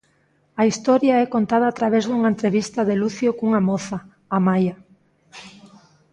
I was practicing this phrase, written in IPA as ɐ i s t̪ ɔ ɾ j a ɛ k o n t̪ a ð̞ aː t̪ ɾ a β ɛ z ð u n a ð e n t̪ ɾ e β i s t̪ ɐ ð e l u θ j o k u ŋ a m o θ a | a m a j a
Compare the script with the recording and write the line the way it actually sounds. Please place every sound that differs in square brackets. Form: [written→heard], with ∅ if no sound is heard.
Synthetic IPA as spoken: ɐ i s t̪ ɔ ɾ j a ɛ k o n t̪ a ð̞ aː t̪ ɾ a β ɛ z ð u [n→ŋ] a [ð→∅] e n t̪ ɾ e β i s t̪ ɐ ð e l u θ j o k u ŋ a m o θ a | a m a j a